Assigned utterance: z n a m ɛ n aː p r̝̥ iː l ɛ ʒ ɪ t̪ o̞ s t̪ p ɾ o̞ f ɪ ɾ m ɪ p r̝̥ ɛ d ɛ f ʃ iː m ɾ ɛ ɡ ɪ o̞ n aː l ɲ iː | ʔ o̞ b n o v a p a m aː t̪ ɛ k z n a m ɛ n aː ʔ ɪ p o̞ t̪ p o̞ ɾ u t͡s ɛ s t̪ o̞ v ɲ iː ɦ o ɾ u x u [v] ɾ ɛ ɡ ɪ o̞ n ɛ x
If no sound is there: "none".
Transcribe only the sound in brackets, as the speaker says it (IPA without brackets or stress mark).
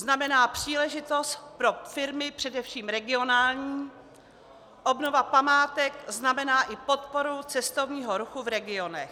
v